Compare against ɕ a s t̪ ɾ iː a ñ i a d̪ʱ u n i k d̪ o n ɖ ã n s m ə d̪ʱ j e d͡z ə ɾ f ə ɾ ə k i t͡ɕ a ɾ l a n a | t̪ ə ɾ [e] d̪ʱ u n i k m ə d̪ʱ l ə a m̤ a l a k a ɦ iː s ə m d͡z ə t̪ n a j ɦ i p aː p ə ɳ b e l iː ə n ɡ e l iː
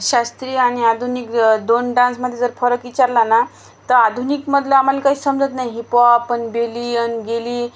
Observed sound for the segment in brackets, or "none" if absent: a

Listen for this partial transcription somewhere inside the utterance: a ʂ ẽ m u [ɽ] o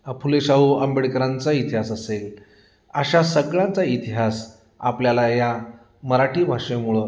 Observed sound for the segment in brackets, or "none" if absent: ɭ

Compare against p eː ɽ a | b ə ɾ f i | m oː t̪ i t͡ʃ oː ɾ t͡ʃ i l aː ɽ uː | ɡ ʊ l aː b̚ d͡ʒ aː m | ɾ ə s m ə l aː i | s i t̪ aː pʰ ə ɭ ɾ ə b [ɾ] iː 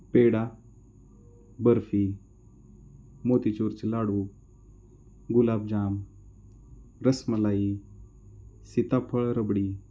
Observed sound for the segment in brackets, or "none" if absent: ɽ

